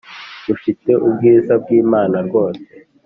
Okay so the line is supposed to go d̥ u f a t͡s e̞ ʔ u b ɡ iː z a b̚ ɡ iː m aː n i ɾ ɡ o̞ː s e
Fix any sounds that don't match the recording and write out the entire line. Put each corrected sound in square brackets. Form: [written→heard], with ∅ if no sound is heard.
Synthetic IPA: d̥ u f [a→i] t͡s e̞ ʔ u b ɡ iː z a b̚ ɡ iː m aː n [i→a] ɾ ɡ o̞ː s e